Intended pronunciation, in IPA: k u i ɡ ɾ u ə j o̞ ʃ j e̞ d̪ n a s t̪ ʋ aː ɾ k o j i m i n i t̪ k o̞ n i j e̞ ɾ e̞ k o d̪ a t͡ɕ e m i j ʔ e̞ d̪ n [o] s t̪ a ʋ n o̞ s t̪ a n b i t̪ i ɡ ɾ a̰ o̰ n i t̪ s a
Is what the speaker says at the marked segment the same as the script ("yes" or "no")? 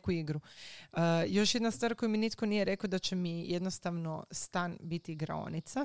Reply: yes